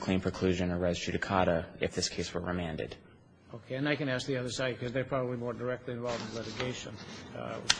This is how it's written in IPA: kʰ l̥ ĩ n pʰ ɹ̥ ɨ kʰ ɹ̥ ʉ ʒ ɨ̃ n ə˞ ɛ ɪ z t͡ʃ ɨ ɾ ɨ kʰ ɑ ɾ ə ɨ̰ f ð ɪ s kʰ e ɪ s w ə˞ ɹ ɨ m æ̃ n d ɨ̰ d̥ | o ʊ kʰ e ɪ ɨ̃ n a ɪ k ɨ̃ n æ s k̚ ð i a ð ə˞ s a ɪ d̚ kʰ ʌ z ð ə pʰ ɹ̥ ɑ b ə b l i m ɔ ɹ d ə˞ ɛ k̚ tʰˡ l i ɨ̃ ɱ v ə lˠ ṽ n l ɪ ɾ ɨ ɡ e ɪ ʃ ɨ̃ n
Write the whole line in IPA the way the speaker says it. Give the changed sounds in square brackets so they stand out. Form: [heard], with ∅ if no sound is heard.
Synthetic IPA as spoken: kʰ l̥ ĩ n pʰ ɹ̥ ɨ kʰ [l̥] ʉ ʒ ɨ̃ n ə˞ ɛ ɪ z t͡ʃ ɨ ɾ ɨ kʰ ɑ ɾ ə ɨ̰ f ð ɪ s kʰ e ɪ s w ə˞ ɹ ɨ m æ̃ n d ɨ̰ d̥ | o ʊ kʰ e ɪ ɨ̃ n a ɪ k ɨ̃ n æ s k̚ ð i [ʌ] ð ə˞ s a ɪ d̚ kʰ ʌ z ð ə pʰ ɹ̥ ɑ b ə b l i m ɔ ɹ d ə˞ ɛ k̚ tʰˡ l i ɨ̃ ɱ v [ɑ] lˠ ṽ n l ɪ ɾ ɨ ɡ e ɪ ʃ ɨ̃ n